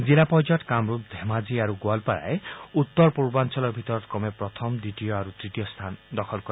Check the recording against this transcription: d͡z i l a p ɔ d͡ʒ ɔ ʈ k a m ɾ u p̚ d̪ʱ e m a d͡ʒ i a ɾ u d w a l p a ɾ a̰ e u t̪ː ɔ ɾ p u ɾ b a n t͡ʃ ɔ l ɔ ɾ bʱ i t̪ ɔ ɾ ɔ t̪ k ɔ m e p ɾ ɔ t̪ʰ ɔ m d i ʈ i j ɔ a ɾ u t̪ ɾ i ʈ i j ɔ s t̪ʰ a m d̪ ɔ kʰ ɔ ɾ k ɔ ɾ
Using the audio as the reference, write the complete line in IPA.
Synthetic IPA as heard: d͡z i l a p ɔ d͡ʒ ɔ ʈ k a m ɾ u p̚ d̪ʱ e m a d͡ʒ i a ɾ u ɡ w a l p a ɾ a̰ e u t̪ː ɔ ɾ p u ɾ b a n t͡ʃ ɔ l ɔ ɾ bʱ i t̪ ɔ ɾ ɔ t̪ k ɔ m e p ɾ ɔ t̪ʰ ɔ m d i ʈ i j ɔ a ɾ u t̪ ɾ i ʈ i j ɔ s t̪ʰ a n d̪ ɔ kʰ ɔ l k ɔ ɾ